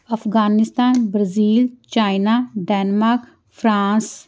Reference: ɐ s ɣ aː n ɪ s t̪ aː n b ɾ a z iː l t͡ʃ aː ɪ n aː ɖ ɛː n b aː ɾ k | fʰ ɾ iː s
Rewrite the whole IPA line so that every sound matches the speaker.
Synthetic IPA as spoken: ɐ f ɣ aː n ɪ s t̪ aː n b ɾ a z iː l t͡ʃ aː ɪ n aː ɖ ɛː n m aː ɾ k | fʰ ɾ aː s

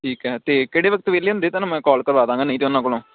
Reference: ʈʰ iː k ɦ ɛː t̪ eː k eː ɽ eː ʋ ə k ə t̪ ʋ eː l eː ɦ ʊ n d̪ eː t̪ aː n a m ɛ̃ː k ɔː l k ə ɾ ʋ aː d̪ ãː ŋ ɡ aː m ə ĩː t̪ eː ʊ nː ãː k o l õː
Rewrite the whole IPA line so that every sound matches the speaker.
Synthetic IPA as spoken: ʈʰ iː k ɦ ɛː t̪ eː k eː ɽ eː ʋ ə k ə t̪ ʋ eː l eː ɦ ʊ n d̪ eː t̪ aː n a m ɛ̃ː k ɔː l k ə ɾ ʋ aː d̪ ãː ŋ ɡ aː n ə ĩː t̪ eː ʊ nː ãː k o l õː

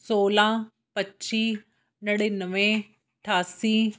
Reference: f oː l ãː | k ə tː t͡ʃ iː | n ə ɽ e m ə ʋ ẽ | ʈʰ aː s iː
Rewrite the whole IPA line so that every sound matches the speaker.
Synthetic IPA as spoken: s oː l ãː | p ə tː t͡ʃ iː | n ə ɽ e n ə ʋ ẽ | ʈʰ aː s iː

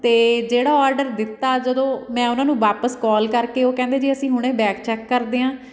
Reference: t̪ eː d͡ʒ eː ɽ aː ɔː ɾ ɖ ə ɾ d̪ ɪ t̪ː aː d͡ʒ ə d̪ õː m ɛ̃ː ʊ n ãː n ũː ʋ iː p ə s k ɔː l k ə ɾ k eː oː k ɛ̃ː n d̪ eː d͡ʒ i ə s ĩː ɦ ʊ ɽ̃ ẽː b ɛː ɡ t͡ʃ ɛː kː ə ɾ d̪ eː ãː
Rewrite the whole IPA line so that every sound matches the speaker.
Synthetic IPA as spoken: t̪ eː d͡ʒ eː ɽ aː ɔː ɾ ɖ ə ɾ d̪ ɪ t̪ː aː d͡ʒ ə d̪ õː m ɛ̃ː ʊ n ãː n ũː ʋ aː p ə s k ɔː l k ə ɾ k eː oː k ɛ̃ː n d̪ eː d͡ʒ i ə s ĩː ɦ ʊ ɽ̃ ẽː b ɛː k t͡ʃ ɛː kː ə ɾ d̪ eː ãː

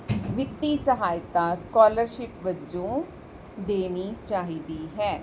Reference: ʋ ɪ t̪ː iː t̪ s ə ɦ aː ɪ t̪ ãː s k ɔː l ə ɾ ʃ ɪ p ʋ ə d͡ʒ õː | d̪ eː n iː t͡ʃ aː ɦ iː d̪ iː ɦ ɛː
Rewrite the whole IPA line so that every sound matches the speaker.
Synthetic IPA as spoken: ʋ ɪ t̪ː iː s ə ɦ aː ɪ t̪ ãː s k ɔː l ə ɾ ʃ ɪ p ʋ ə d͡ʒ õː | d̪ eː n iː t͡ʃ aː ɦ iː d̪ iː ɦ ɛː

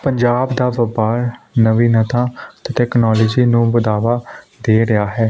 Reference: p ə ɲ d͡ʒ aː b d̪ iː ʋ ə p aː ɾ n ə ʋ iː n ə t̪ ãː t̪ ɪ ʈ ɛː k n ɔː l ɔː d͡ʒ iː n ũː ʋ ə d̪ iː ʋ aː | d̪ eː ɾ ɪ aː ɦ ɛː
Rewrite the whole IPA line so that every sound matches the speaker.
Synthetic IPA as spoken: p ə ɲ d͡ʒ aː b d̪ aː ʋ ə p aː ɾ n ə ʋ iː n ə t̪ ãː t̪ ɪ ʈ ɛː k n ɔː l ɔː d͡ʒ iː n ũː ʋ ə d̪ aː ʋ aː | d̪ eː ɾ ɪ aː ɦ ɛː

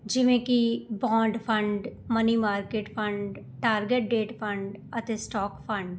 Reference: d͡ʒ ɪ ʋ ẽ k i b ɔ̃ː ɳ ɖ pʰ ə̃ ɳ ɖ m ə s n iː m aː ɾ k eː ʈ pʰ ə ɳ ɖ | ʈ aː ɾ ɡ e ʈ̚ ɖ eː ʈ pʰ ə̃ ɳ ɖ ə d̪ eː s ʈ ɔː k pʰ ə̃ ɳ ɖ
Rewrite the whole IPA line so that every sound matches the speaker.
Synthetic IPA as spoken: d͡ʒ ɪ ʋ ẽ k i b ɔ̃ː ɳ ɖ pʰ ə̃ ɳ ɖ m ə n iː m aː ɾ k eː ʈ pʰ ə ɳ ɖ | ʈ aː ɾ ɡ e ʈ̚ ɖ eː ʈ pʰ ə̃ ɳ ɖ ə t̪ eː s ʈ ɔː k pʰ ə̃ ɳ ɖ

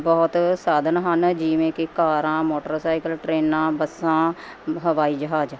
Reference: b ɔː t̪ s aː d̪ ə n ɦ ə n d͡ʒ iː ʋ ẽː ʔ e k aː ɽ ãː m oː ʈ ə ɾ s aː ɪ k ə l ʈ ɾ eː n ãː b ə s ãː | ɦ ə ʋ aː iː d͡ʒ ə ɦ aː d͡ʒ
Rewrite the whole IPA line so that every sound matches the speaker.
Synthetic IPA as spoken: b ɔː t̪ s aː d̪ ə n ɦ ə n d͡ʒ iː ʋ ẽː k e k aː ɾ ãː m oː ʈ ə ɾ s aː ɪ k ə l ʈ ɾ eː n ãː b ə s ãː | ɦ ə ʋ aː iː d͡ʒ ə ɦ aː d͡ʒ

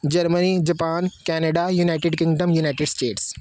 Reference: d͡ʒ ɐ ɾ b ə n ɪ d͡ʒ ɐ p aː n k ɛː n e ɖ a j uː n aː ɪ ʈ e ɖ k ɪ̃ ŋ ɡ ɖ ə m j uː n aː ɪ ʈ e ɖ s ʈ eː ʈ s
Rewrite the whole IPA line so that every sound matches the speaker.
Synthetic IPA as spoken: d͡ʒ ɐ ɾ m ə n i d͡ʒ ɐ p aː n k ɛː n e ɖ a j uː n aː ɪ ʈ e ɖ k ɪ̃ ŋ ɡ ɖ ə m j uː n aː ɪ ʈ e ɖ s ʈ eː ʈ s

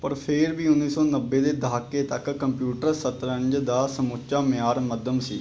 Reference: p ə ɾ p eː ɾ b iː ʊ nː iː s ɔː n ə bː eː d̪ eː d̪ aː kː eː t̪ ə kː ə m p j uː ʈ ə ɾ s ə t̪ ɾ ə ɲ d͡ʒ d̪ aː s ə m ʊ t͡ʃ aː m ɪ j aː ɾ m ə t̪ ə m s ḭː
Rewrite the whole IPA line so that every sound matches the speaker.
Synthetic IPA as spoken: p ə ɾ pʰ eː ɾ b iː ʊ nː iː s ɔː n ə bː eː d̪ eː d̪ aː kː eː t̪ ə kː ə m p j uː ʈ ə ɾ s ə t̪ ɾ ə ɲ d͡ʒ d̪ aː s ə m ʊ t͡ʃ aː m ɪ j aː ɾ m ə d̪ ə m s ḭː

